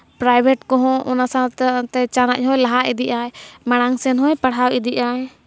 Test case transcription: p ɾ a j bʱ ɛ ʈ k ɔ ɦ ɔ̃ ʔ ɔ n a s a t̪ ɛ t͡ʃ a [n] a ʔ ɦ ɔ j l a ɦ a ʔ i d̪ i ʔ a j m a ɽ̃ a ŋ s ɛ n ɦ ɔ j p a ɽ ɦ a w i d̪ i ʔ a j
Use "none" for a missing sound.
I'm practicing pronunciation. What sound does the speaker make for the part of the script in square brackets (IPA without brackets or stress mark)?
n